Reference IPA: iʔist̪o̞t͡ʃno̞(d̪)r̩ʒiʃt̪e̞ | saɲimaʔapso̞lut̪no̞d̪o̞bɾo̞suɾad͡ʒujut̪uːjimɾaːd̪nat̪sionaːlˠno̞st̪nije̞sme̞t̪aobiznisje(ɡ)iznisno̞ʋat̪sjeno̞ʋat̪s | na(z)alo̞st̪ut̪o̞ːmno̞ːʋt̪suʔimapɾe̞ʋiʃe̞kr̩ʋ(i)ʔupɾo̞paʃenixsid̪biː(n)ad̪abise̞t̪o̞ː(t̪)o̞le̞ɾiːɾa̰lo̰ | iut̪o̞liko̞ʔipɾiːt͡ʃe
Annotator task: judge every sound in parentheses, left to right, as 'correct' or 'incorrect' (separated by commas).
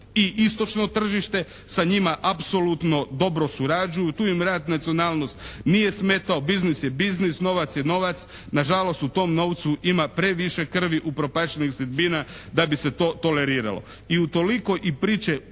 incorrect, incorrect, incorrect, correct, correct, correct